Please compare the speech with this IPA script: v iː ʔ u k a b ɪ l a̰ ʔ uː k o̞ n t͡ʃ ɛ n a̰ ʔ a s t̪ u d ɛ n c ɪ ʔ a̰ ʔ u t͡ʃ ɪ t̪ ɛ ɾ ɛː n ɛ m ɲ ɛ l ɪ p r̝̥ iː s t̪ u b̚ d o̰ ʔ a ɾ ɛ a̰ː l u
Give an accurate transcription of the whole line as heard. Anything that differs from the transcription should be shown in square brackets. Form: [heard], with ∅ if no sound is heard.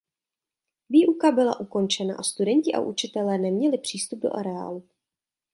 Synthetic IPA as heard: v iː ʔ u k a b ɪ l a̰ ʔ [u] k o̞ n t͡ʃ ɛ n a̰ ʔ a s t̪ u d ɛ [ɲ] c ɪ ʔ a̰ ʔ u t͡ʃ ɪ t̪ ɛ [l] ɛː n ɛ m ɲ ɛ l ɪ p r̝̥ iː s t̪ u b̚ d o̰ ʔ a ɾ ɛ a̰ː l u